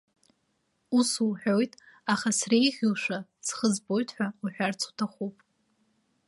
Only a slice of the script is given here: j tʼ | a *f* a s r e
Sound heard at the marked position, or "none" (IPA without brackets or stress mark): χ